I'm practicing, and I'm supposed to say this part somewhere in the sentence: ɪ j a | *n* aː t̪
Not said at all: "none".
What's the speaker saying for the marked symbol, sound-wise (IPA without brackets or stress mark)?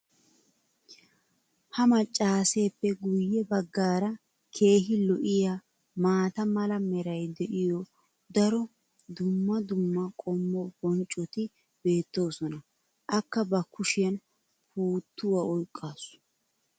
m